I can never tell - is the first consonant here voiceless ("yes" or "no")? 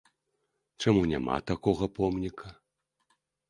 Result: yes